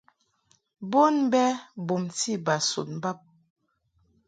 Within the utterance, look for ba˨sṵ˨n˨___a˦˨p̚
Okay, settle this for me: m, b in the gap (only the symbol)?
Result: b